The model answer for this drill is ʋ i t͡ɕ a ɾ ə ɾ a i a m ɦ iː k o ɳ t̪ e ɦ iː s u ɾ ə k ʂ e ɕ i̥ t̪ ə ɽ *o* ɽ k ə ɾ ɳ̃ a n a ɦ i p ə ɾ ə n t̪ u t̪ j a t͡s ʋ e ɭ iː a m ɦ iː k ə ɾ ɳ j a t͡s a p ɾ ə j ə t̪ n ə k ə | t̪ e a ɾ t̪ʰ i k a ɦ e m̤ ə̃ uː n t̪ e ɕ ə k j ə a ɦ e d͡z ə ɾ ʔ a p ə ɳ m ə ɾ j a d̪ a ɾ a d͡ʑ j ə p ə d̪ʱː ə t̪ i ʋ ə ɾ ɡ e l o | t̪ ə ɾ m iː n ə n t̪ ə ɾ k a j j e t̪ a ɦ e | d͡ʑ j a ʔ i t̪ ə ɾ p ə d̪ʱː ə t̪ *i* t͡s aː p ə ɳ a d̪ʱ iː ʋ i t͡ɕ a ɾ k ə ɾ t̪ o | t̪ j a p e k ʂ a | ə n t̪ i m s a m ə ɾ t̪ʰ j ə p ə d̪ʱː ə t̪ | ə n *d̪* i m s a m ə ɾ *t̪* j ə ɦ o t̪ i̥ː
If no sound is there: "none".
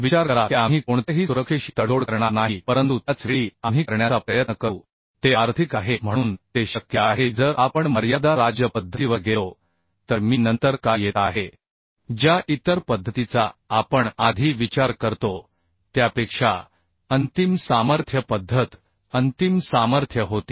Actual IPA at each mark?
o, i, t̪, t̪ʰ

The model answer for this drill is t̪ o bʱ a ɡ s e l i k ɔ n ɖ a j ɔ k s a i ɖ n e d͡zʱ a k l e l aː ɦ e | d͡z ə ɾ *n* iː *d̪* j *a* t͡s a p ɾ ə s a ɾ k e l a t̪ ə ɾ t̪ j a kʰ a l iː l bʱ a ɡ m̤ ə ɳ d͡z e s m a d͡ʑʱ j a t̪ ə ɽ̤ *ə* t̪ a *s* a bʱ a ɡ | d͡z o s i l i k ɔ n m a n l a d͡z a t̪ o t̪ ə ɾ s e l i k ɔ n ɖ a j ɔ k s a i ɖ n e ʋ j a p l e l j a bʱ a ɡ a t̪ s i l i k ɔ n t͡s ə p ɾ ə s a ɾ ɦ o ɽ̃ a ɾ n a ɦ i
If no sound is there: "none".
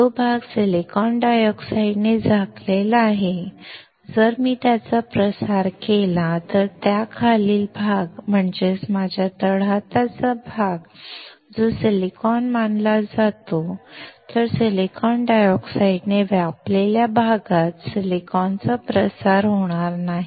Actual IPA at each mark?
m, t̪, a, a, t͡s

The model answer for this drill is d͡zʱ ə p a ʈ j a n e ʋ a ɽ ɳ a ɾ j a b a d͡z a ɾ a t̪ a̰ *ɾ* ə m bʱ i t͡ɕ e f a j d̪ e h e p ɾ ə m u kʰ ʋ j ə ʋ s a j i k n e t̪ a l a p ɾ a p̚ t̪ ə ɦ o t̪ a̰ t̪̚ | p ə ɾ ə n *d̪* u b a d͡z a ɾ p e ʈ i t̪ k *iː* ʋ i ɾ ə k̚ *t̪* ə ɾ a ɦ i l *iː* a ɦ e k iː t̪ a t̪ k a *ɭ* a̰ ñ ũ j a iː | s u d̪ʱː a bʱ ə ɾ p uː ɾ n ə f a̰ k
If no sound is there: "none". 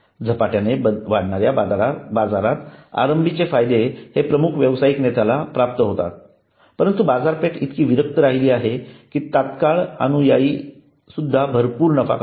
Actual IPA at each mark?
ɾ, t̪, iː, t̪, iː, ɭ

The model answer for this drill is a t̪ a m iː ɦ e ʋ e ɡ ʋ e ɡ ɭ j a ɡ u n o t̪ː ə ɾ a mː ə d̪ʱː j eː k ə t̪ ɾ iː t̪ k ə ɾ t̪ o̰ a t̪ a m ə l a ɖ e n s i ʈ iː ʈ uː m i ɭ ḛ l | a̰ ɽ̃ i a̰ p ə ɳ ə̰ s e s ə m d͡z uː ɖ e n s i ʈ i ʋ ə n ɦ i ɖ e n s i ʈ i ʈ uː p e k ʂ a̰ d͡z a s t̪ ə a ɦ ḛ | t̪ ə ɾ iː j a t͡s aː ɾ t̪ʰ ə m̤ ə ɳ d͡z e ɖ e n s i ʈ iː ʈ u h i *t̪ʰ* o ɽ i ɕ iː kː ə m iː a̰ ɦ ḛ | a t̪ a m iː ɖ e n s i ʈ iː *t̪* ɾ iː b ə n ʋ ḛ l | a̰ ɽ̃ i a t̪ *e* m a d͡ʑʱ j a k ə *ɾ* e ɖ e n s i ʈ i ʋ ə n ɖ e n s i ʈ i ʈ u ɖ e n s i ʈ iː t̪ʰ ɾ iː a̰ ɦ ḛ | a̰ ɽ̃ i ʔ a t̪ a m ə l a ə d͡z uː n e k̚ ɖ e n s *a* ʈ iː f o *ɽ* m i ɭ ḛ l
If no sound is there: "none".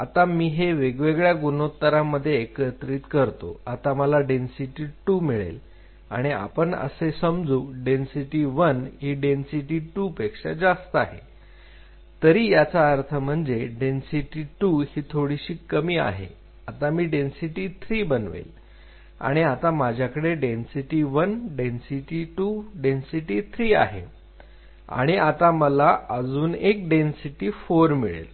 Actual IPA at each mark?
t̪ʰ, t̪ʰ, a, ɽ, i, ɾ

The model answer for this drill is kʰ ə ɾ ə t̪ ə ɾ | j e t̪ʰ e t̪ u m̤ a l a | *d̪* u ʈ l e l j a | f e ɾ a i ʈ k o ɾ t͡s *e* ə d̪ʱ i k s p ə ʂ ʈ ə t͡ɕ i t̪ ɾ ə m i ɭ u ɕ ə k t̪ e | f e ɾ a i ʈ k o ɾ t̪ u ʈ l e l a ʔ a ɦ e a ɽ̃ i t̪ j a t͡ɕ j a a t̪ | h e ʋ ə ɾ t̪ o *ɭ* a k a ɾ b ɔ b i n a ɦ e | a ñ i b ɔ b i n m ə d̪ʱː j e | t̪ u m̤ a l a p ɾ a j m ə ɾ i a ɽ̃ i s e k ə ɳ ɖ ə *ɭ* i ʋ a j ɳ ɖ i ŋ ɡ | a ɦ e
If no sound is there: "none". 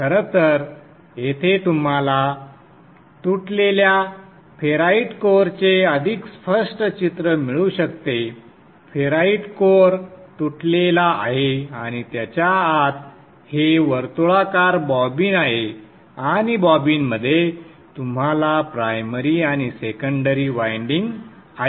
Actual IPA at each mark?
t̪, e, ɭ, ɾ

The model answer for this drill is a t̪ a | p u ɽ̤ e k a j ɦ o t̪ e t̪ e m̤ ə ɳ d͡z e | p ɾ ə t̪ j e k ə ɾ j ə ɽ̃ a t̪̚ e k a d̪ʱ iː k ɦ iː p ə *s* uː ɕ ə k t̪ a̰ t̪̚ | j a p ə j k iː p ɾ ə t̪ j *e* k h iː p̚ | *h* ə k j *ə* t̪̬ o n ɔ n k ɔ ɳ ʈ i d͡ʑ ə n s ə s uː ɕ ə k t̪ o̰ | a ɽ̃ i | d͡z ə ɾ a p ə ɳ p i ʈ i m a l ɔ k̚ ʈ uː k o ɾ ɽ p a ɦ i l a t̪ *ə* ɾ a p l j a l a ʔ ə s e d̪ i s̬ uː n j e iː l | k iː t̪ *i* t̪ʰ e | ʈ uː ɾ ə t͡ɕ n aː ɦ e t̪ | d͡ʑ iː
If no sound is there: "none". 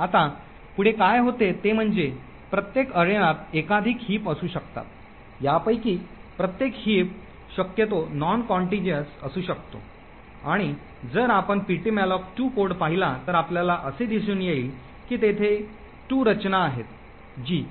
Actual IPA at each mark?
s, e, ɕ, ə, ə, e

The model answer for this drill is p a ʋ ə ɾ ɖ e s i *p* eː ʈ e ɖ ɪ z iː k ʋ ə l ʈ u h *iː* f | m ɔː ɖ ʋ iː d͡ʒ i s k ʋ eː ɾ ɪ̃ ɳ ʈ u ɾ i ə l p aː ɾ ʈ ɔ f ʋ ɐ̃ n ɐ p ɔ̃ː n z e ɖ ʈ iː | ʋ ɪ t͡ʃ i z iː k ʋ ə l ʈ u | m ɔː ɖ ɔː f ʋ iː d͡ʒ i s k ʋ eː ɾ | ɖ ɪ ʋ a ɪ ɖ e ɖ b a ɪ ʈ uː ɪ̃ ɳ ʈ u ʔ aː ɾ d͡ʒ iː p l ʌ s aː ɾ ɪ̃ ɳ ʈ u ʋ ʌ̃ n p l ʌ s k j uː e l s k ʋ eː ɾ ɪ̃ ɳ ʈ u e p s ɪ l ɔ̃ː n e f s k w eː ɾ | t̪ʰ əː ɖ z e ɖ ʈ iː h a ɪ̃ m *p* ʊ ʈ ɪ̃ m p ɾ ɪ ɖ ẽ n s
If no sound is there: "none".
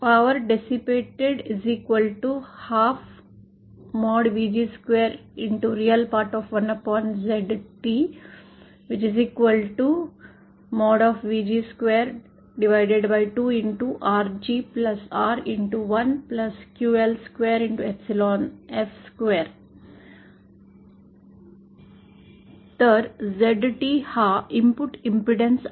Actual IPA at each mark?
p, aː, p

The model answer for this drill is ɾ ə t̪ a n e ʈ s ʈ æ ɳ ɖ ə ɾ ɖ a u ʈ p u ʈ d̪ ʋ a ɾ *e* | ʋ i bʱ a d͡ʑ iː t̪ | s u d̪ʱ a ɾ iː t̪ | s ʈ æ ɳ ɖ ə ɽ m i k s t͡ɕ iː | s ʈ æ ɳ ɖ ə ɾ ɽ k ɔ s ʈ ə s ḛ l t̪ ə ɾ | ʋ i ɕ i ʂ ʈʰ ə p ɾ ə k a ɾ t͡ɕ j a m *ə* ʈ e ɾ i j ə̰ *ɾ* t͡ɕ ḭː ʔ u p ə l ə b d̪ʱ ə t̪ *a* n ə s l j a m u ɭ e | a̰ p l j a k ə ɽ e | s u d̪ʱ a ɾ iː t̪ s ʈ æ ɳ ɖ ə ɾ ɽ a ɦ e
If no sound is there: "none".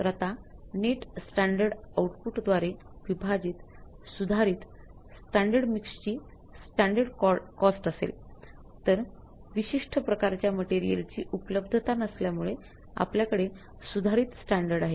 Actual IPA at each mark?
e, ə, l, a

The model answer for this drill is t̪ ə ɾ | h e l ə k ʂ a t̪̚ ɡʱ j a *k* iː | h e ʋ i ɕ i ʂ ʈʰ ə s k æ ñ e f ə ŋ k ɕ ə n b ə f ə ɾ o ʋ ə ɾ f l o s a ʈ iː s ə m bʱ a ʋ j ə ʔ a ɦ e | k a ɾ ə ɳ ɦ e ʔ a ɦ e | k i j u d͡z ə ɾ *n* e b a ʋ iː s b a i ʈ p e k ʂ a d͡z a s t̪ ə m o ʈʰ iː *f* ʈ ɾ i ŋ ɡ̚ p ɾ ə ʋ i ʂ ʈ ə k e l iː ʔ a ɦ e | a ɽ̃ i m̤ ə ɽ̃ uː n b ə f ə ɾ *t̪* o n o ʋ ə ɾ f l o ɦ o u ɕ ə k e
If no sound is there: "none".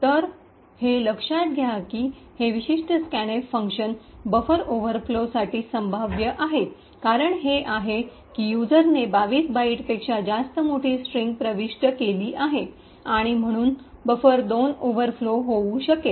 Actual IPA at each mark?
k, n, s, d̪

